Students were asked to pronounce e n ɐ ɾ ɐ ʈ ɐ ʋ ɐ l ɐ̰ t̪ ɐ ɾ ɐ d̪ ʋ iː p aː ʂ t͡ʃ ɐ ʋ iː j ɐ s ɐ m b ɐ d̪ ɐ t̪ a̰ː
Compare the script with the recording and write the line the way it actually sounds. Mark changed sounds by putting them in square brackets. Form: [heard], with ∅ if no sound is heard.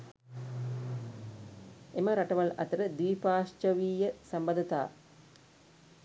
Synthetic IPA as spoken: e [m] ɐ ɾ ɐ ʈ ɐ ʋ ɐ l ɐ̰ t̪ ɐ ɾ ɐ d̪ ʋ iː p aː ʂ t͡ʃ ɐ ʋ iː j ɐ s ɐ m b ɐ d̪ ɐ t̪ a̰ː

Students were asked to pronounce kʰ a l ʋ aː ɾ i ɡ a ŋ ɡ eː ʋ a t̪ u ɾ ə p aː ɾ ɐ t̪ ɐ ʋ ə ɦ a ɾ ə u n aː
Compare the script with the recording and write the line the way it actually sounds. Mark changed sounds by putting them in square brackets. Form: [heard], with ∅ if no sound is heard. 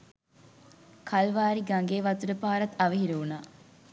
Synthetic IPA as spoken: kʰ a l ʋ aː ɾ i ɡ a ŋ ɡ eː ʋ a t̪ u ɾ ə p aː ɾ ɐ t̪ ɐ ʋ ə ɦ [i] ɾ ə u n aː

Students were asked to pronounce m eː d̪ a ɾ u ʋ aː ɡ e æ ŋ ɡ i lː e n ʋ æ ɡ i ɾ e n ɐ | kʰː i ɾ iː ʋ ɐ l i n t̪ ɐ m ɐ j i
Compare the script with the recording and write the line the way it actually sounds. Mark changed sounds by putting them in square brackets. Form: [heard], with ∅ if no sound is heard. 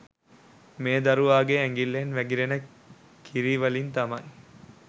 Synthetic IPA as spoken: m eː d̪ [ɐ] ɾ u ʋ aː ɡ e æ ŋ ɡ i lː e n ʋ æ ɡ i ɾ e n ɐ | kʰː i ɾ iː ʋ ɐ l i n t̪ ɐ m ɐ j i

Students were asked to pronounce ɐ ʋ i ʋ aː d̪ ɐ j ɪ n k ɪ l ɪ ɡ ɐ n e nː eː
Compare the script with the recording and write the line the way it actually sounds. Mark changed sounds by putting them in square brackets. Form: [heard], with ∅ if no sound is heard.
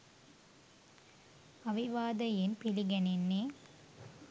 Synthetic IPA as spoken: ɐ ʋ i ʋ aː d̪ ɐ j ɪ n [p] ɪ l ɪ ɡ ɐ n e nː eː

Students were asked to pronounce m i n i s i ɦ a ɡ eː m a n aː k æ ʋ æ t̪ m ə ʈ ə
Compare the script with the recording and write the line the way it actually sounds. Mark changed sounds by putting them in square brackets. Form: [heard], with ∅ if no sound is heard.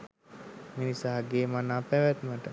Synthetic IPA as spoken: m i n i s [a] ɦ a ɡ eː m a n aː [p] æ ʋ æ t̪ m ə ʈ ə

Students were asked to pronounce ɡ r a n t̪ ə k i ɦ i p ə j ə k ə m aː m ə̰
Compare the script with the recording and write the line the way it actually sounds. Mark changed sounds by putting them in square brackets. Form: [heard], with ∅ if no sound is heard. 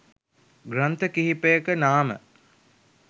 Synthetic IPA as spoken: ɡ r a n t̪ ə k i ɦ i p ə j ə k ə [n] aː m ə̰

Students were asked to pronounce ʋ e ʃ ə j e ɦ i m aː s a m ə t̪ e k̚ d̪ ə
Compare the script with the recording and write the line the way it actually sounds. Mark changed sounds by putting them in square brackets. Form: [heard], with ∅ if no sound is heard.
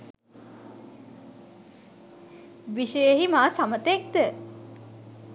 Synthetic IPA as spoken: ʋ [i] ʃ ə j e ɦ i m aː s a m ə t̪ e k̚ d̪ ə

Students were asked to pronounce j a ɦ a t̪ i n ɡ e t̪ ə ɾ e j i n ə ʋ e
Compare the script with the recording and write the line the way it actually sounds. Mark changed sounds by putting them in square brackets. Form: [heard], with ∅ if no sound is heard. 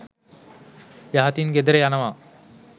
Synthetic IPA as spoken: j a ɦ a t̪ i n ɡ e [d̪] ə ɾ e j [a] n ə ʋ [a]

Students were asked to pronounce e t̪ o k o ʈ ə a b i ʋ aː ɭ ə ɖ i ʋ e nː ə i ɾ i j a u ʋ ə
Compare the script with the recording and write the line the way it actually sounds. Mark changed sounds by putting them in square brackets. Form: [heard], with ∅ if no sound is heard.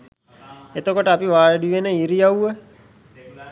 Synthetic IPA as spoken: e t̪ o k o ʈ ə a [p] i ʋ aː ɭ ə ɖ i ʋ e [n] ə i ɾ i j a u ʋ ə

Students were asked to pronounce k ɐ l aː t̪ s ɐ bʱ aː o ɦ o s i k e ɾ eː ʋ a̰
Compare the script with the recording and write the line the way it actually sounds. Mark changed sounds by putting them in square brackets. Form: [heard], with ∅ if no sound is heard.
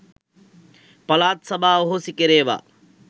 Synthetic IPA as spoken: [p] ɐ l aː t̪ s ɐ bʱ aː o ɦ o s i k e ɾ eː ʋ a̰

